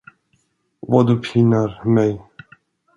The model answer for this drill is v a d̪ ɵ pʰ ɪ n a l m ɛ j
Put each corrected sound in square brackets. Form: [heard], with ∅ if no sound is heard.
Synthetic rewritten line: v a d̪ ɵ pʰ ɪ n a [ɾ] m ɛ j